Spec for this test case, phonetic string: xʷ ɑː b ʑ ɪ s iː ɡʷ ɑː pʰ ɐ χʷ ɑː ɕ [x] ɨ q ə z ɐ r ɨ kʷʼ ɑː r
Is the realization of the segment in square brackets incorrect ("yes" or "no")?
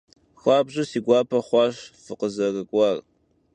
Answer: yes